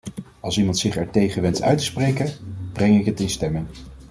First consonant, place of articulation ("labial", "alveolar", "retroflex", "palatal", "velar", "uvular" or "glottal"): alveolar